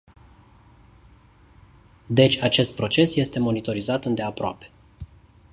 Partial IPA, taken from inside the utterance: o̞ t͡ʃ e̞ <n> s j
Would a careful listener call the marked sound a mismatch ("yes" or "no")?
yes